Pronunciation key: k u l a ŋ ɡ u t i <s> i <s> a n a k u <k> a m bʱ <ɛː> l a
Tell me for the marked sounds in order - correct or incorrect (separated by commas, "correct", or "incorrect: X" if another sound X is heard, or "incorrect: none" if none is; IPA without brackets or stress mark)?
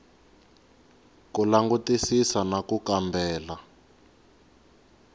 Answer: correct, correct, correct, correct